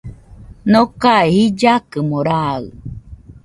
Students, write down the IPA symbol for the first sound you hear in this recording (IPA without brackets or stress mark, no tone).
n